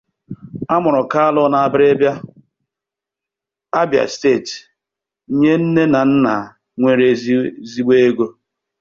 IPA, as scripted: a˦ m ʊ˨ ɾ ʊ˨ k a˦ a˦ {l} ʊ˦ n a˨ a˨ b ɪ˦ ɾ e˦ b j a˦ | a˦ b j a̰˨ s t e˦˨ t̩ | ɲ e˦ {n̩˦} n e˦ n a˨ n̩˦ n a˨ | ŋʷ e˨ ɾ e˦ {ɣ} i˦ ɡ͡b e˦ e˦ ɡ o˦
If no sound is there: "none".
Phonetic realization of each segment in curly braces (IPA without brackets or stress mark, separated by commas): l, n̩˦, z